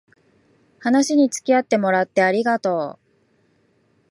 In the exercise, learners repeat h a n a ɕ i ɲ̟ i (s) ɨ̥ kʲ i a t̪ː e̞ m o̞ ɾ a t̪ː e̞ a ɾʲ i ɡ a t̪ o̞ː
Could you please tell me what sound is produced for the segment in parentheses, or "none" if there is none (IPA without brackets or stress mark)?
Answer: t͡s